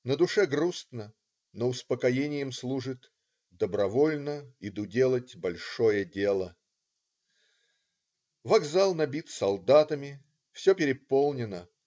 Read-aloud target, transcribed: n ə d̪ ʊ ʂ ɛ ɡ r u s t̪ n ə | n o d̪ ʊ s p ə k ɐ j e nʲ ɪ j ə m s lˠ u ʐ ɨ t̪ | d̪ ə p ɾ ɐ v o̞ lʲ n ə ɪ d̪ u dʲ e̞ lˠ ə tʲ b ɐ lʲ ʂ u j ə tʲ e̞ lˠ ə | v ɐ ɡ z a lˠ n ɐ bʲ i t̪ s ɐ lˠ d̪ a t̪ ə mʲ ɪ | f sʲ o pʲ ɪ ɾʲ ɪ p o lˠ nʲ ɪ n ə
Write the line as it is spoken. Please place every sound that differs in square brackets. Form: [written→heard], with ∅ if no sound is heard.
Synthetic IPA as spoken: n ə d̪ ʊ ʂ ɛ ɡ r u s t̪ n ə | n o [d̪→∅] ʊ s p ə k ɐ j e nʲ ɪ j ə m s lˠ u ʐ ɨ t̪ | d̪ ə [p→b] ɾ ɐ v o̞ lʲ n ə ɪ d̪ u dʲ e̞ lˠ ə tʲ b ɐ lʲ ʂ [u→o] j ə [tʲ→dʲ] e̞ lˠ ə | v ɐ ɡ z a lˠ n ɐ bʲ i t̪ s ɐ lˠ d̪ a t̪ ə mʲ ɪ | f sʲ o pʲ ɪ ɾʲ ɪ p o lˠ nʲ ɪ n ə